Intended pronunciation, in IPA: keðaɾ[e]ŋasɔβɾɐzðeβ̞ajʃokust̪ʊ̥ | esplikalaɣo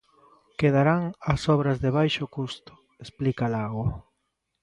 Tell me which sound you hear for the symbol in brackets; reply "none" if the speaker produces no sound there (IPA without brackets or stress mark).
a